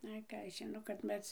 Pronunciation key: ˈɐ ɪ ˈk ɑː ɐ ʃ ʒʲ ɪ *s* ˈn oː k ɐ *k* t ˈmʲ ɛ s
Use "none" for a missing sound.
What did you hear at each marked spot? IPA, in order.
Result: none, none

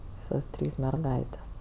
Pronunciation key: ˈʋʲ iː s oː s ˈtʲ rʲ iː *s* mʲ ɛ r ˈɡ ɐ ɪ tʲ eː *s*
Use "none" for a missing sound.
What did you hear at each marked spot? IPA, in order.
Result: s, s

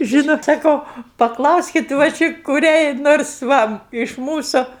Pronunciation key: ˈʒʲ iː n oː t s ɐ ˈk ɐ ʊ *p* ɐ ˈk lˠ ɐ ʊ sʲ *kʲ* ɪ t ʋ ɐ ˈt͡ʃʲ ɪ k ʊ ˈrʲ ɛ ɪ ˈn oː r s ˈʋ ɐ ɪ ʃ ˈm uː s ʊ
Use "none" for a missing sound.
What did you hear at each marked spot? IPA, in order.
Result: p, kʲ

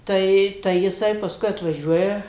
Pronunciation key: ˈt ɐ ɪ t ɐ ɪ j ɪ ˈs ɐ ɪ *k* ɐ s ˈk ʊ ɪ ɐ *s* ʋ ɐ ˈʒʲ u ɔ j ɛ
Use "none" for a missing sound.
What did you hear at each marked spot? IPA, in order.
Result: p, t

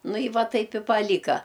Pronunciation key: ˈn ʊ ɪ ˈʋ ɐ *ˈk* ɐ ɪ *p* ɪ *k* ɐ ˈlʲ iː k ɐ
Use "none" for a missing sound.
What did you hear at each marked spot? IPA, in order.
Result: t, p, p

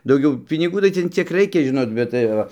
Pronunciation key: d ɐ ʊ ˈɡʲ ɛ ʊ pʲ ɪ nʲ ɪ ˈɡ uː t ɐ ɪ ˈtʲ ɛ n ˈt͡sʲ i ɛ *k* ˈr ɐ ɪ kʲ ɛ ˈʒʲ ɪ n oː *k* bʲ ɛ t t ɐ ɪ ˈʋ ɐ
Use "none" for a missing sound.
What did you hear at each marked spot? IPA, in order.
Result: k, t

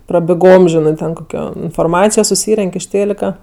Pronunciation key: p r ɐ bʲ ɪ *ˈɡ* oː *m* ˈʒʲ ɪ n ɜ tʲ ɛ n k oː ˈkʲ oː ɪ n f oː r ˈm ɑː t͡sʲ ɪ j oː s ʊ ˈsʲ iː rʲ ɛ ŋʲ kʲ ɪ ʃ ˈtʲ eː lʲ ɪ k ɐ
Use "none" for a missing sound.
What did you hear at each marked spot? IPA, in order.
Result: ɡ, m

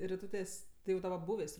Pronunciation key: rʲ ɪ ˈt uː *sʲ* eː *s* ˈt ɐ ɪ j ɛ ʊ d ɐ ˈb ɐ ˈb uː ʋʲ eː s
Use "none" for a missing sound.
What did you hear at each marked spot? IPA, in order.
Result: tʲ, s

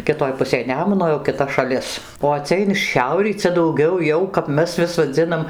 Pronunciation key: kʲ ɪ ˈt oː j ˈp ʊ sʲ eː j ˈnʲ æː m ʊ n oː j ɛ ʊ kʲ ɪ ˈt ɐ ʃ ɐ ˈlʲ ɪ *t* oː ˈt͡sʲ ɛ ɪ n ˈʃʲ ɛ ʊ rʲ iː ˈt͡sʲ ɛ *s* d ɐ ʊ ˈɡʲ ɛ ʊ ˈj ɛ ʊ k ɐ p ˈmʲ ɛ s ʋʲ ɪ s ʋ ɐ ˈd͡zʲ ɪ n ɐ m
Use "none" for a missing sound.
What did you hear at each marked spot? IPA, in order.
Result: s, none

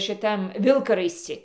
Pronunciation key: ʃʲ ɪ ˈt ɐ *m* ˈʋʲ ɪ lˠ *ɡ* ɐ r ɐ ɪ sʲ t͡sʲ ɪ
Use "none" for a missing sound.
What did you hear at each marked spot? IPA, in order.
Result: m, k

